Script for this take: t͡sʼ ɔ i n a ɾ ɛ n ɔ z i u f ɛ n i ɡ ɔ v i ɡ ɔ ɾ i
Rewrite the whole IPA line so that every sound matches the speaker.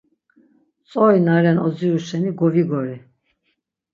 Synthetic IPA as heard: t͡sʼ ɔ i n a ɾ ɛ n ɔ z i u ʃ ɛ n i ɡ ɔ v i ɡ ɔ ɾ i